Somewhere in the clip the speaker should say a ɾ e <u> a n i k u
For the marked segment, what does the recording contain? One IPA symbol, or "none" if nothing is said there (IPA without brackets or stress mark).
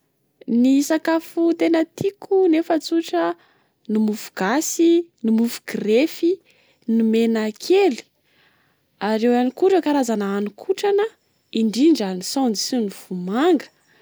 w